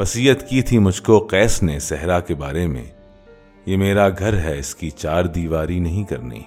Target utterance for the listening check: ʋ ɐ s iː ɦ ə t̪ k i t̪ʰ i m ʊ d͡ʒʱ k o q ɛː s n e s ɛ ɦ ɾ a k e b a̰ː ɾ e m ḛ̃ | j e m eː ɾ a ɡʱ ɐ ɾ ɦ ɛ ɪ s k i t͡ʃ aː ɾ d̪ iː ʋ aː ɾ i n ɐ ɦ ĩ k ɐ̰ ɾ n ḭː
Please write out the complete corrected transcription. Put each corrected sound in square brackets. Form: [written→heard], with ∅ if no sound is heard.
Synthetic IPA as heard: ʋ ɐ s iː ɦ ə t̪ k i t̪ʰ i m ʊ d͡ʒʱ k o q ɛː s n e s ɛ ɦ ɾ a k e b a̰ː ɾ e m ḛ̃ | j e m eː ɾ a ɡʱ ɐ ɾ ɦ ɛ ɪ s k i t͡ʃ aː ɾ d̪ iː ʋ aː ɾ i n ɐ ɦ ĩ k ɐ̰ ɾ n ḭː